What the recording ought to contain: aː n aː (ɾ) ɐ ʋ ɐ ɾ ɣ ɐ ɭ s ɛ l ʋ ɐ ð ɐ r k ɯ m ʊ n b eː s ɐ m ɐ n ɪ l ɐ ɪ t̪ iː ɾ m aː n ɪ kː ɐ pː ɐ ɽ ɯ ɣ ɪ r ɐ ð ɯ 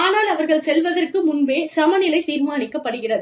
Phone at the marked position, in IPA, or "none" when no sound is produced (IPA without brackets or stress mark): l